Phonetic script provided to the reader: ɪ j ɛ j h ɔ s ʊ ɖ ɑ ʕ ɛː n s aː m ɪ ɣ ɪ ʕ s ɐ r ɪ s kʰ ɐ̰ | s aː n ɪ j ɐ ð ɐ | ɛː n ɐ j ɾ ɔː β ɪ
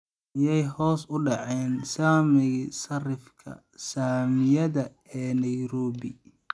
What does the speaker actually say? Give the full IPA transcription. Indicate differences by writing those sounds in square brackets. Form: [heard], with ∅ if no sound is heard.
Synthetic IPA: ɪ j ɛ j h [ɔː] s ʊ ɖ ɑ ʕ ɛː n s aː m ɪ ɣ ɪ [∅] s ɐ r ɪ [f] kʰ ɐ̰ | s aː [m] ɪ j ɐ ð ɐ | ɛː n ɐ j ɾ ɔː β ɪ